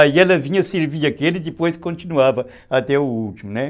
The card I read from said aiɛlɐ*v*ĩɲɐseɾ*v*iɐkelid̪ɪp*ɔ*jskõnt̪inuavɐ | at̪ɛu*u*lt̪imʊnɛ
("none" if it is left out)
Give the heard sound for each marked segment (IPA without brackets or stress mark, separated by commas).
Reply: v, v, o, u